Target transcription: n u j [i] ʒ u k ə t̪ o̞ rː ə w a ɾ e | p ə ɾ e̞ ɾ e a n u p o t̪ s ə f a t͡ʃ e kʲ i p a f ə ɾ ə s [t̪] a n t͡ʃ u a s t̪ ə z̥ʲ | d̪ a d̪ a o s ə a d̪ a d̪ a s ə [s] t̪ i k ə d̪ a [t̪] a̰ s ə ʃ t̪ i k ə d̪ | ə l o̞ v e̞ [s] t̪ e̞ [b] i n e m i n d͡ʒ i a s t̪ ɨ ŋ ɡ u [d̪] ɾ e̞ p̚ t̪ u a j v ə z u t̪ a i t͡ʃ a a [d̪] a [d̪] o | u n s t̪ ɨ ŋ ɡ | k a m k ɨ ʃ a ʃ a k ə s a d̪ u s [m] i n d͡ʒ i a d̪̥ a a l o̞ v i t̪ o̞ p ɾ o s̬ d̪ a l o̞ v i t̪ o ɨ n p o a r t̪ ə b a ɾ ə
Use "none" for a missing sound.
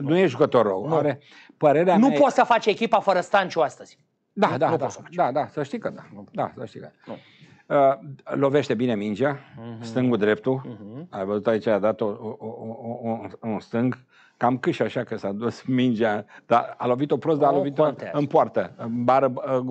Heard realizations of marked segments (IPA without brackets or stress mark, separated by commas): e, t̪, ʃ, d̪, ʃ, b, d̪, d̪, t̪, m